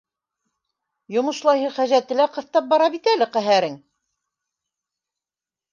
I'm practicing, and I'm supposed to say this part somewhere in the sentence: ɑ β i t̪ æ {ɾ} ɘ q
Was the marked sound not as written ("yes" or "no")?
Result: yes